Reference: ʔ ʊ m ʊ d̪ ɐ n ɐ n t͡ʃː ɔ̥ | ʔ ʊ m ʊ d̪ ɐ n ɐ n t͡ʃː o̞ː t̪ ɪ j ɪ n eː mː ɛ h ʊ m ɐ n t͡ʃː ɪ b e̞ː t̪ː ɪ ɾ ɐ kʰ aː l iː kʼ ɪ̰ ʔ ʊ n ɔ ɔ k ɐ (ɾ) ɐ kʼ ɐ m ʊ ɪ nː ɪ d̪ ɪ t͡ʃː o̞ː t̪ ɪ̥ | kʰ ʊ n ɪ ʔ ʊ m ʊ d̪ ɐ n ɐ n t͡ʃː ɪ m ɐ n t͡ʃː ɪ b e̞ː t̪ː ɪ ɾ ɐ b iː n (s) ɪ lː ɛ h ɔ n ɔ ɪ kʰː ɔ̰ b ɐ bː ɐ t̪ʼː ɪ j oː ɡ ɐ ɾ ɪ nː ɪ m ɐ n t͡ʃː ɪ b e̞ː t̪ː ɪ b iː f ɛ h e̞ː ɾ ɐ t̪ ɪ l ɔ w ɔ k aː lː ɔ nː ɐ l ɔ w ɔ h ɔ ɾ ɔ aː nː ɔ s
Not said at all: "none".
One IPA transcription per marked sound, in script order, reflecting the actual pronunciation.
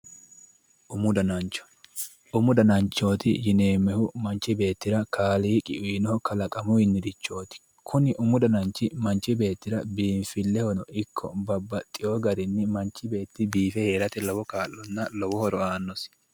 l, f

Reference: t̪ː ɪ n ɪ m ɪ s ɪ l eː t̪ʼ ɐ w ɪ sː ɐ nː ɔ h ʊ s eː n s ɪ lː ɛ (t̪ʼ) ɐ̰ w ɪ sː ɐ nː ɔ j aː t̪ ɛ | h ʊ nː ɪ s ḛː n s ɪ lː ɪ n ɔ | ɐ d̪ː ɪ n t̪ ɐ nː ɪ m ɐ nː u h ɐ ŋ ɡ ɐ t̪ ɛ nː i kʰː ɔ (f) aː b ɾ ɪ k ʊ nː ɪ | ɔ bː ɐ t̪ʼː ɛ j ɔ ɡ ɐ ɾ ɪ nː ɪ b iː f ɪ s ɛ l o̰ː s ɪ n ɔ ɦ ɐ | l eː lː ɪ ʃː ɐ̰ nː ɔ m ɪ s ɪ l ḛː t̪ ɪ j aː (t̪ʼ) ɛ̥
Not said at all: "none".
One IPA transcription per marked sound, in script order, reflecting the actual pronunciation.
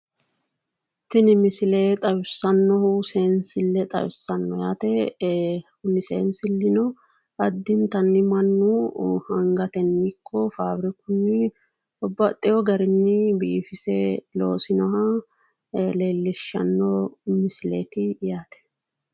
t̪ʼ, f, t̪

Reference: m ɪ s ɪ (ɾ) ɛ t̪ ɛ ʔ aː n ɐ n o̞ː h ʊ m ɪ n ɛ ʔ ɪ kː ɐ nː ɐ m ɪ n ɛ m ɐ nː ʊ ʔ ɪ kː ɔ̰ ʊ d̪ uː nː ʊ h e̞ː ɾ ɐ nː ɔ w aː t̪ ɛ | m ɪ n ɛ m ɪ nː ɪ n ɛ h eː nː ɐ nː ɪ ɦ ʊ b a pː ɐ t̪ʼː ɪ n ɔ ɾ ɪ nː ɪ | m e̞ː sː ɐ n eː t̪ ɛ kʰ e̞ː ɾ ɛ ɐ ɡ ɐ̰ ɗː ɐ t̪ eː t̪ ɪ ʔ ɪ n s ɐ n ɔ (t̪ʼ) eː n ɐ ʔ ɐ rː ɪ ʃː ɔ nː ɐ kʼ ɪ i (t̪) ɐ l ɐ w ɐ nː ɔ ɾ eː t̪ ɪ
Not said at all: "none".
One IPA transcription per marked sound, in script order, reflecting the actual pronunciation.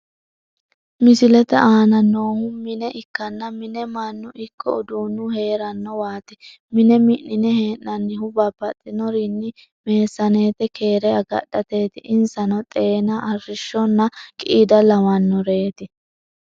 l, t̪ʼ, d̪

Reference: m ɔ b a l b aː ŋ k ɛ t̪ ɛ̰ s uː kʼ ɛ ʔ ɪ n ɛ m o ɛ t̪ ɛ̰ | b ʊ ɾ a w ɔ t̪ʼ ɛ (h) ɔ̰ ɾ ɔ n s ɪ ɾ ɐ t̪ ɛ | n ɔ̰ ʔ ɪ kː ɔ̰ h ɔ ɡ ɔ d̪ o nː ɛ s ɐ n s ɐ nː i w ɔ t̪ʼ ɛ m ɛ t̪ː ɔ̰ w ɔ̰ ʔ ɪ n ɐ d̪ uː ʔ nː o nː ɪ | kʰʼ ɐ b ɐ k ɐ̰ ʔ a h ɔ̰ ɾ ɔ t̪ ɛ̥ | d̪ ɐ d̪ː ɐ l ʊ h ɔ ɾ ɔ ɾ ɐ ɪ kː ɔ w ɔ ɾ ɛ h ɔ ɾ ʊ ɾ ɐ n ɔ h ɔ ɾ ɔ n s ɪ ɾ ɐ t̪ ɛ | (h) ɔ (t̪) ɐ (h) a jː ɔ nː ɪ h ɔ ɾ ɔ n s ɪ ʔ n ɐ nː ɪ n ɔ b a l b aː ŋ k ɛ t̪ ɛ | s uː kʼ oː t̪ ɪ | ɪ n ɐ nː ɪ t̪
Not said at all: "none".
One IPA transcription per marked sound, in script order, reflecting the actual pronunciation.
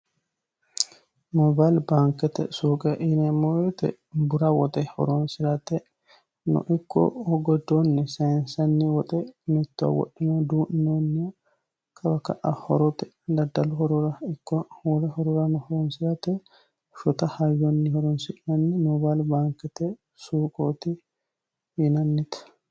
h, ʃ, t̪, h

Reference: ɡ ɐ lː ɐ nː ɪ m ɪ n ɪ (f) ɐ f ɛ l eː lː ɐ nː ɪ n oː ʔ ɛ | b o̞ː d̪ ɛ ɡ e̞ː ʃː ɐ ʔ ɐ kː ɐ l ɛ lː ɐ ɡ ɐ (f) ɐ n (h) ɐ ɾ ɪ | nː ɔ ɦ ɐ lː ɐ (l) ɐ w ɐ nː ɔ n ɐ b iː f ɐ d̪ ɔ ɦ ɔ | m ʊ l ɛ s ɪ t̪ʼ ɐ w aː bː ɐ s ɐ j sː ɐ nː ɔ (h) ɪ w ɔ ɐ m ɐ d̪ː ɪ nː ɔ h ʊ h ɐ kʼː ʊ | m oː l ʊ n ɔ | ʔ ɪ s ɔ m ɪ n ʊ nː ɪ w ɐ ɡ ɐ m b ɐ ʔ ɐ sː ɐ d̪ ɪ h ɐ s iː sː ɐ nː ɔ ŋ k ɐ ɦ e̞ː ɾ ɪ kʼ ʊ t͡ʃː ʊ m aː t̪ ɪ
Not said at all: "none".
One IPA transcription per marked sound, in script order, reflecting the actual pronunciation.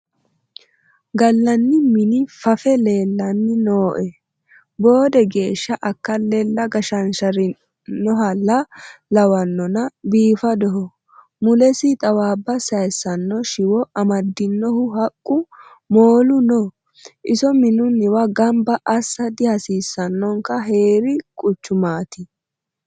f, ʃ, ʃ, l, ʃ

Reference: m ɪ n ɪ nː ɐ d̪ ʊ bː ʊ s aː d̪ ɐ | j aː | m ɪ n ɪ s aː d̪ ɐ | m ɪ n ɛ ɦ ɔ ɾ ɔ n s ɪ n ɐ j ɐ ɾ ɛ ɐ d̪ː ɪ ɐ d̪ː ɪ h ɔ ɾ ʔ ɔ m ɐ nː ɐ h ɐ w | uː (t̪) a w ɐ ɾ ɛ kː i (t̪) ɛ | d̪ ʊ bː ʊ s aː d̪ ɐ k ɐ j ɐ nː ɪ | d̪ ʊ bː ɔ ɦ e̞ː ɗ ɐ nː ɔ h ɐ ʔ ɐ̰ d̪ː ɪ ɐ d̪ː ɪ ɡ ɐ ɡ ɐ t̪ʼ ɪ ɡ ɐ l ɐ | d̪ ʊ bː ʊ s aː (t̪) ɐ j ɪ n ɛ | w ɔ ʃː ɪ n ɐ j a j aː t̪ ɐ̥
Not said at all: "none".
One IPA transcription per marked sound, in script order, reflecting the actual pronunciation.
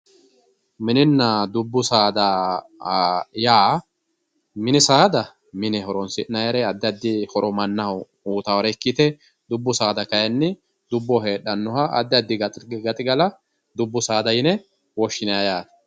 t̪, t̪, d̪

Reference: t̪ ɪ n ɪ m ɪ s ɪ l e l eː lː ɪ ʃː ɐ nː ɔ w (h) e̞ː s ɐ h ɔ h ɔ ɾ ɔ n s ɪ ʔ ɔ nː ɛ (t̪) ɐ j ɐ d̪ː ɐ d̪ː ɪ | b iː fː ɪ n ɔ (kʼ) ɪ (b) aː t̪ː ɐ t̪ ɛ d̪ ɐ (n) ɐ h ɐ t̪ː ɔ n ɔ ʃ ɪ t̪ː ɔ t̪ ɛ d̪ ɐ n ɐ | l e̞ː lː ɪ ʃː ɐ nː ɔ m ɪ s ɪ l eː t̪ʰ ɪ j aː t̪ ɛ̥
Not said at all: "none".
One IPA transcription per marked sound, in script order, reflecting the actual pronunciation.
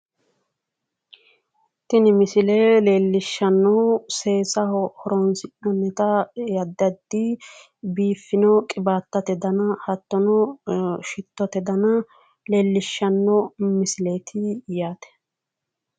s, t̪, kʼ, b, n

